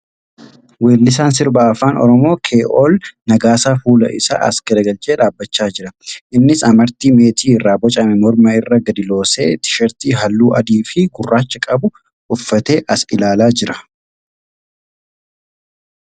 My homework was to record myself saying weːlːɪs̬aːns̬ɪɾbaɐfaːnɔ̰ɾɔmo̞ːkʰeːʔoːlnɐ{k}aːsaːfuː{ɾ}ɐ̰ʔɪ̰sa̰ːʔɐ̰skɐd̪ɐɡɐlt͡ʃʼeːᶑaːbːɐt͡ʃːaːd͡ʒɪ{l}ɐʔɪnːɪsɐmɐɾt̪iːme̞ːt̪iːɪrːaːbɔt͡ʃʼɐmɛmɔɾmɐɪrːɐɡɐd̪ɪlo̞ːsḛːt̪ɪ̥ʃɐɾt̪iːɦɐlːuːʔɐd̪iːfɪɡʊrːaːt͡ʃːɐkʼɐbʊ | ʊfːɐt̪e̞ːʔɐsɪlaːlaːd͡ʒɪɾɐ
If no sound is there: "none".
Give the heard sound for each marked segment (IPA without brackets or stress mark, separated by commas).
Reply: ɡ, l, ɾ